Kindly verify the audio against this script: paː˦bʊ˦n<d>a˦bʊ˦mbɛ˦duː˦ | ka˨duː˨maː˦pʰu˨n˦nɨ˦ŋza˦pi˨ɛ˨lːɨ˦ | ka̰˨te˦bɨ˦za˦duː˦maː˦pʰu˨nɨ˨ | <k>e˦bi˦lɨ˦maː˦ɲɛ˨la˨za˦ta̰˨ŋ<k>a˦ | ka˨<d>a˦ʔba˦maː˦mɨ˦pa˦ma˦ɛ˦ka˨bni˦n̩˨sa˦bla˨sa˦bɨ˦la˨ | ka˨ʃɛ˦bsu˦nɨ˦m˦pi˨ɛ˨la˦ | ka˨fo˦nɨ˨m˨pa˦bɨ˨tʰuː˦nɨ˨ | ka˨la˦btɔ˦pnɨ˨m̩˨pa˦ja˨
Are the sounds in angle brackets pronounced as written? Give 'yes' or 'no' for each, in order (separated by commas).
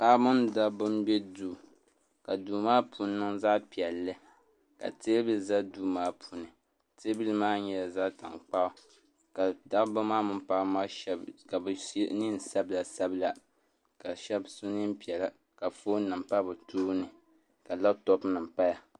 yes, no, no, yes